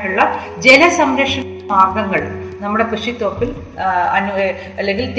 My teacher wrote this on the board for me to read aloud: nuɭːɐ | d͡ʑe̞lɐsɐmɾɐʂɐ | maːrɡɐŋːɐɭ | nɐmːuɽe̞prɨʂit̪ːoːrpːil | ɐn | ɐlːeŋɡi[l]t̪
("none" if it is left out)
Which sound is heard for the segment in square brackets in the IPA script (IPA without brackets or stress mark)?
l